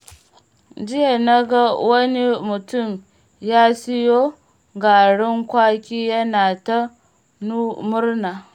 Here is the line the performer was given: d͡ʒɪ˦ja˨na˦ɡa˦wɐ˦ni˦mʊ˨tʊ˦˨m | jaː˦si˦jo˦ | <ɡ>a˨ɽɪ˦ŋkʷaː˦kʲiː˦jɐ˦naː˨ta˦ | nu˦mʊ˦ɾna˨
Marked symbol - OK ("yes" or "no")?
yes